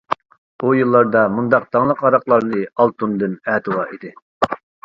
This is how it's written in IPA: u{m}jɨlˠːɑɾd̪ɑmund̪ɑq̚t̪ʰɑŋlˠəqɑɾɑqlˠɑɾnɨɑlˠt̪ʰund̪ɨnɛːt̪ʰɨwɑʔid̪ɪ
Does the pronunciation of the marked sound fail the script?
yes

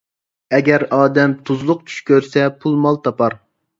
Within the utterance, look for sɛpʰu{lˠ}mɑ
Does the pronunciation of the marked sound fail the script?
no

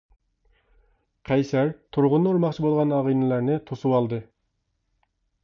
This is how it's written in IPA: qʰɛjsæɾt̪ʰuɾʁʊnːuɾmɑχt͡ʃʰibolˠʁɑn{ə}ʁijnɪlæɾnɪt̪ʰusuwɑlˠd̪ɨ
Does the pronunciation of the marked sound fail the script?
yes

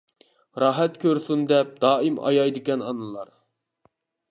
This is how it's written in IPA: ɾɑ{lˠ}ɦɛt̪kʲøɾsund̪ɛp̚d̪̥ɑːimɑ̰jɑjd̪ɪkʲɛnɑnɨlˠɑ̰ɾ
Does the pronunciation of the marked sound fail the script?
yes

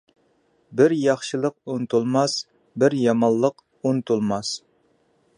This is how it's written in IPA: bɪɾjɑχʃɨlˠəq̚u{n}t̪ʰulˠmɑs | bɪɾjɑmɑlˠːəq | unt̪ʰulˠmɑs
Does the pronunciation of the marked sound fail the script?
no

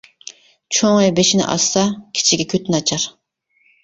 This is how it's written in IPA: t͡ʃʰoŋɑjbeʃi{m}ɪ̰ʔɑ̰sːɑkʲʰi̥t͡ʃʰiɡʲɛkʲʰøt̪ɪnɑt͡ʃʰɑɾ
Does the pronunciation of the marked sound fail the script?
yes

